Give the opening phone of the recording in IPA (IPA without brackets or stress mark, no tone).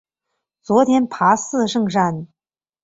t͡s